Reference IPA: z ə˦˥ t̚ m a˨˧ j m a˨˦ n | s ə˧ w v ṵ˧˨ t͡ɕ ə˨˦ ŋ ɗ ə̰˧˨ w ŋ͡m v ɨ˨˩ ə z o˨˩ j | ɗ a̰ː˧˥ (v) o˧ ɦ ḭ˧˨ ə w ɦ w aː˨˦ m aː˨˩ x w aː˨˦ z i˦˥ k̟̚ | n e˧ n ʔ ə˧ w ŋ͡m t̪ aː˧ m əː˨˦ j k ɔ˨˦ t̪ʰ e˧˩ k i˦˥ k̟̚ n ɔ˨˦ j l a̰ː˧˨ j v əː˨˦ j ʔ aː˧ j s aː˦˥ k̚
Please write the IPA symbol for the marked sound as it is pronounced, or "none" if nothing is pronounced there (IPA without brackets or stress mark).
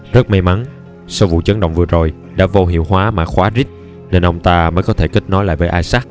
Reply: v